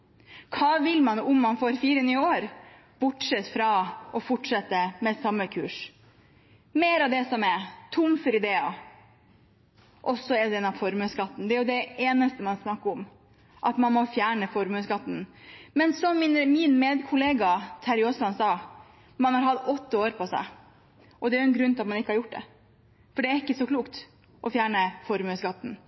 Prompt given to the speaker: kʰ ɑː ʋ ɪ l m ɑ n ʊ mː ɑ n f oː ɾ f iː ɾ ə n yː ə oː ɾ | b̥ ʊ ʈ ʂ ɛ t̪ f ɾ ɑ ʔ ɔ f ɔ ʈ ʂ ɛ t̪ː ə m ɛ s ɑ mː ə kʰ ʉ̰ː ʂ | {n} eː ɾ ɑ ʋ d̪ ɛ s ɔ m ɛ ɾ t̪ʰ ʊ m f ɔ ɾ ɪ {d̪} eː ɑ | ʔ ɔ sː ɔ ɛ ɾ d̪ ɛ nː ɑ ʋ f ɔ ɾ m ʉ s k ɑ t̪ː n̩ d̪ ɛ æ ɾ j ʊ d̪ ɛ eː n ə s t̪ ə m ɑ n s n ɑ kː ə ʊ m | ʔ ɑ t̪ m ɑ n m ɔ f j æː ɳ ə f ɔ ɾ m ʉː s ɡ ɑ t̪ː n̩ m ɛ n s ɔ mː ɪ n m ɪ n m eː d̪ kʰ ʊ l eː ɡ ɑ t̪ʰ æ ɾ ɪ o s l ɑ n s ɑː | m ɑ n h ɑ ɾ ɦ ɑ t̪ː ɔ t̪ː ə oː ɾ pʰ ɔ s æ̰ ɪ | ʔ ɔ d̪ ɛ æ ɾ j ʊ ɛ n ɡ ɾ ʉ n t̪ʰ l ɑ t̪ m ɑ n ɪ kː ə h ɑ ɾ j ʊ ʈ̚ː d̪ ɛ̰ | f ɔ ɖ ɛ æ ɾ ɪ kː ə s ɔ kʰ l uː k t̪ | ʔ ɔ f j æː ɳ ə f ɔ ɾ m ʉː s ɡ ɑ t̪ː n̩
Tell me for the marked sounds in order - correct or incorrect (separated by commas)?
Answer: incorrect, correct